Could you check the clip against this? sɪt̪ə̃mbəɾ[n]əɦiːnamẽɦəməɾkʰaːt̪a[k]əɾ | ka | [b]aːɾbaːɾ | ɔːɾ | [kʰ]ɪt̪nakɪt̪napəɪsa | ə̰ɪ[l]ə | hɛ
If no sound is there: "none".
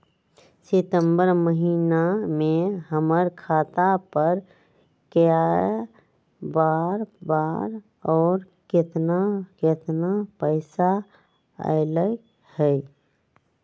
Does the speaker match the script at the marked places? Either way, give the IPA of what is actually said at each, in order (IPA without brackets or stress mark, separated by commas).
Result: m, p, b, k, l